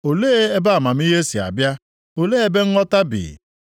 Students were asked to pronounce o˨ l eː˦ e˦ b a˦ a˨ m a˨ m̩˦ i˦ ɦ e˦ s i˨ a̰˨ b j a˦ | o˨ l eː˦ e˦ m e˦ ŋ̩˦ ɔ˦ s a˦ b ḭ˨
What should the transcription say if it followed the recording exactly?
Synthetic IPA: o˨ l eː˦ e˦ b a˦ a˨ m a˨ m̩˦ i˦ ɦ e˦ s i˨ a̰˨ b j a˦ | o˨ l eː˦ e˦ b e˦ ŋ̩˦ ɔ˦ t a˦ b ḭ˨